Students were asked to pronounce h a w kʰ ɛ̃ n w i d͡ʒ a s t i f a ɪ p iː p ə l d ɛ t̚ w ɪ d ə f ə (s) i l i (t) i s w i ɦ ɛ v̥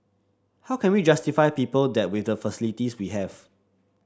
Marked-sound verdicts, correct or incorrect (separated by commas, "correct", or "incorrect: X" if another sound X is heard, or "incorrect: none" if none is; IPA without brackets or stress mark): correct, correct